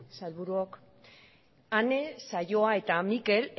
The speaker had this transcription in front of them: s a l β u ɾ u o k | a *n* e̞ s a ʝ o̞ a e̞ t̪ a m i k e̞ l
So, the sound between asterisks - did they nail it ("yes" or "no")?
yes